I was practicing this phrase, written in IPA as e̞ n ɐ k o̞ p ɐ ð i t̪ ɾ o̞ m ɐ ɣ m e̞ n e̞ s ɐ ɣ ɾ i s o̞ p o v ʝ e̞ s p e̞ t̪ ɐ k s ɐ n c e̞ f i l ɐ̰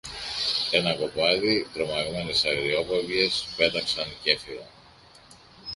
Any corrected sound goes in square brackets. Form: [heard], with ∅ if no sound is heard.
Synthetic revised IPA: e̞ n ɐ k o̞ p ɐ ð i t̪ ɾ o̞ m ɐ ɣ m e̞ n e̞ s ɐ ɣ ɾ i [∅] o̞ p o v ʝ e̞ s p e̞ t̪ ɐ k s ɐ n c e̞ f i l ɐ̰